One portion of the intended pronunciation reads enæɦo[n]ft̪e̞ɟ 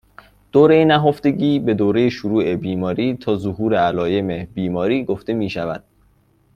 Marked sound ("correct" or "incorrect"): incorrect